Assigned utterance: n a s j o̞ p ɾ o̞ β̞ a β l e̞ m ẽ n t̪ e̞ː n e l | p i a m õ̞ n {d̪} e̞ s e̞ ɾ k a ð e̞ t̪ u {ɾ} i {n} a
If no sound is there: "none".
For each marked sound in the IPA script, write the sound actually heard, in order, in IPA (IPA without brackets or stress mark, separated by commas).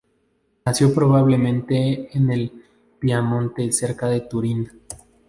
t̪, ɾ, n